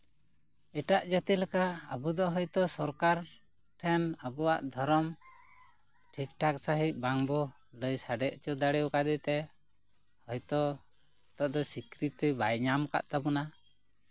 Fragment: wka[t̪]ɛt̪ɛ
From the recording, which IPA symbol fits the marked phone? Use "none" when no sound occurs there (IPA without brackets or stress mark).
d̪